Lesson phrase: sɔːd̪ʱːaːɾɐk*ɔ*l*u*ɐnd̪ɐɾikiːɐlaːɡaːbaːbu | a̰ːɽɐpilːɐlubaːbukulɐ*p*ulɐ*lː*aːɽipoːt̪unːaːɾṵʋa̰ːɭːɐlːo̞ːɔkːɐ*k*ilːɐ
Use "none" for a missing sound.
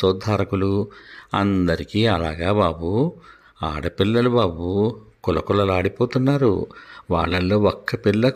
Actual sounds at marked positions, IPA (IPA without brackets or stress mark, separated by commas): u, u, k, l, p